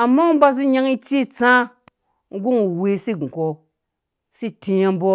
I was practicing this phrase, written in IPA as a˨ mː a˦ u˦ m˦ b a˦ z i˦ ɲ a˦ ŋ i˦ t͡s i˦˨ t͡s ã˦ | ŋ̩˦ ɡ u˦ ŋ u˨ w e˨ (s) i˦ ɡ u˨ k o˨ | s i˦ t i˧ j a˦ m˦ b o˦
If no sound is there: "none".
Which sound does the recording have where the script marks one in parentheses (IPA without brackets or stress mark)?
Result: s